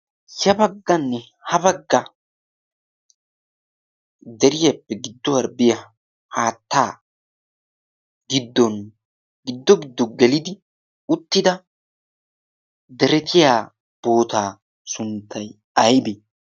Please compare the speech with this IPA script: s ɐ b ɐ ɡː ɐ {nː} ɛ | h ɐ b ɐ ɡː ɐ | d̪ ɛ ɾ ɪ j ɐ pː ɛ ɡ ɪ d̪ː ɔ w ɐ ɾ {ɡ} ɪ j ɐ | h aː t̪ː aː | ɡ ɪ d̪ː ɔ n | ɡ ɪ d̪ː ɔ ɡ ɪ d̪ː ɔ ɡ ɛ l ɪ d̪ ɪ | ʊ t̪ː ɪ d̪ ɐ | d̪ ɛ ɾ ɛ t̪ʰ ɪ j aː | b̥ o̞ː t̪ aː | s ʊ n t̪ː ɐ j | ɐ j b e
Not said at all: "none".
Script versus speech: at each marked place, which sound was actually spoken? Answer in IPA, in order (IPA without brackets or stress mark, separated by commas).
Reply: nː, b